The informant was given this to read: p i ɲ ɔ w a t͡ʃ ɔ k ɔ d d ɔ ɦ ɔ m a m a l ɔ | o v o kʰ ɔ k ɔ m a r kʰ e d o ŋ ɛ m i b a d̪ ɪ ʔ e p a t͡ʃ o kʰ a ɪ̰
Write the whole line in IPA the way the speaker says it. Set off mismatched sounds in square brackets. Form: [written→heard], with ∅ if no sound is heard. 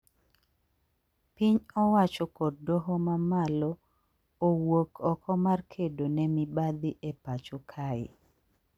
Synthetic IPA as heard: p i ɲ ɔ w a t͡ʃ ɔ k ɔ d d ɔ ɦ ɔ m a m a l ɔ | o [v→w] o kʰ ɔ k ɔ m a r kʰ e d o [ŋ→n] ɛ m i b a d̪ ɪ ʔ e p a t͡ʃ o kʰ a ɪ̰